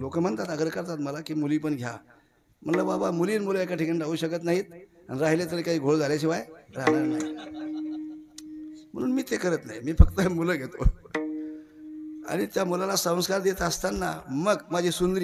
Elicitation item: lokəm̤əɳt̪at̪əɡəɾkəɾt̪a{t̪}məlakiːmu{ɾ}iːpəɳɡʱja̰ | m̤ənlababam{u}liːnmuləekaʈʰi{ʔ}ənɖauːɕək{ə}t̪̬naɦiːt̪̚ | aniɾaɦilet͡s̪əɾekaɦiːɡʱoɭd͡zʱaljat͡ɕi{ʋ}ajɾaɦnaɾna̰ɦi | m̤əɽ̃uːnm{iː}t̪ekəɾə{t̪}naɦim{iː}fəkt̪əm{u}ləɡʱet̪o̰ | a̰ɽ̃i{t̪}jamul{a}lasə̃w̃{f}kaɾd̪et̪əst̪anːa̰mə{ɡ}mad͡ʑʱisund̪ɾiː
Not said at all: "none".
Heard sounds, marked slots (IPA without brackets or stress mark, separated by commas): t̪, l, u, k, ə, ʋ, iː, t̪, iː, u, t̪, a, s, ɡ